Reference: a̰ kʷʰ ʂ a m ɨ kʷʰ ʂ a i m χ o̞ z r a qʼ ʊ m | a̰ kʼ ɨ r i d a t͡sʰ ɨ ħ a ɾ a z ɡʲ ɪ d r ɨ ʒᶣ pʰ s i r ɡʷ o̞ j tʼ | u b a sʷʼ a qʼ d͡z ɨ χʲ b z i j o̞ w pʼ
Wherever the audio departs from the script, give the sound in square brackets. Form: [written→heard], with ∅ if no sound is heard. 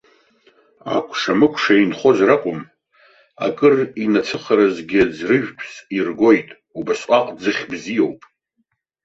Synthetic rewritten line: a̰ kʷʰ ʂ a m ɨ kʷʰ ʂ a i [m→n] χ o̞ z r a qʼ ʊ m | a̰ kʼ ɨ r i [d→n] a t͡sʰ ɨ [ħ→χ] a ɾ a z ɡʲ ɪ [d→d͡z] r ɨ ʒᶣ pʰ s i r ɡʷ o̞ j tʼ | u b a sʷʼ a qʼ d͡z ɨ χʲ b z i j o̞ w pʼ